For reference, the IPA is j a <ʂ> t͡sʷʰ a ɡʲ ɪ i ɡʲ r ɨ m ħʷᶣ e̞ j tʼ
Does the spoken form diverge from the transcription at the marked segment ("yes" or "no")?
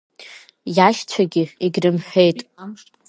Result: yes